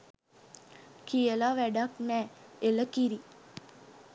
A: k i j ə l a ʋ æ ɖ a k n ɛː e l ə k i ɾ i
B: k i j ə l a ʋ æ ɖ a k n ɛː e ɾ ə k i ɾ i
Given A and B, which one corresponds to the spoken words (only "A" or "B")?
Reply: A